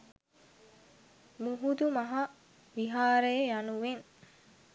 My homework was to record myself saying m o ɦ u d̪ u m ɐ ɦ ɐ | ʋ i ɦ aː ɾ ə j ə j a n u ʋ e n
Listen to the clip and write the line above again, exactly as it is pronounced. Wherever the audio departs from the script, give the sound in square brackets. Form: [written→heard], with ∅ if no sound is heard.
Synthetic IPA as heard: m [o→u] ɦ u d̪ u m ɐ ɦ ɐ | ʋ i ɦ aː ɾ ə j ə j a n u ʋ e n